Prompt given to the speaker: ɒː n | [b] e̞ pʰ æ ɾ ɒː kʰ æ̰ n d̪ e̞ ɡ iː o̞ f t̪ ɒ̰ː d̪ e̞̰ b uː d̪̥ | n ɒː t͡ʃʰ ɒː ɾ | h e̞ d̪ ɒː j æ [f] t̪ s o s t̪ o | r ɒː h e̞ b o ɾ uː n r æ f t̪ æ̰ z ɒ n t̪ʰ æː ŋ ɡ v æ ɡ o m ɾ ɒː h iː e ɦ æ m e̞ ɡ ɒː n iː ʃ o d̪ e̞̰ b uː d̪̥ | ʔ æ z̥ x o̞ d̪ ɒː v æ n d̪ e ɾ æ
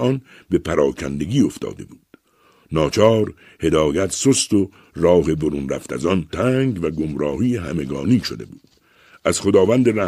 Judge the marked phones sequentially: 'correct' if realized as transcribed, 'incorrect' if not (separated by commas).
correct, incorrect